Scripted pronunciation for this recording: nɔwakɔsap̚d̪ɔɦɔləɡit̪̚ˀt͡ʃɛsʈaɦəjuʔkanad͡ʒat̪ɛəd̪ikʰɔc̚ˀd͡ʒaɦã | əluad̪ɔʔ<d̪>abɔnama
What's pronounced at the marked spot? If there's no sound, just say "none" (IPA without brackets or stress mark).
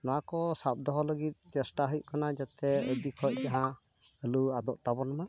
t̪